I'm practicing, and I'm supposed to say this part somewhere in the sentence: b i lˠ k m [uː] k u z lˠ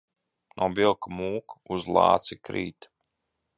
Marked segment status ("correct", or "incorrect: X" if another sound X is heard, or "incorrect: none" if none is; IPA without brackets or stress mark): correct